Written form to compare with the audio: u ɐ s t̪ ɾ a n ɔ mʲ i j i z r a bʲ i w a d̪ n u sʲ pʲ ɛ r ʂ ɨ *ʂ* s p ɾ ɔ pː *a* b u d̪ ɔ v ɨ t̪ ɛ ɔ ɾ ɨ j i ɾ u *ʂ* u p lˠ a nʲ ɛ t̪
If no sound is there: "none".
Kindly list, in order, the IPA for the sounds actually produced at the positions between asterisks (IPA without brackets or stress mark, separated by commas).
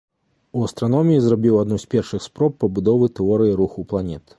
x, ɐ, x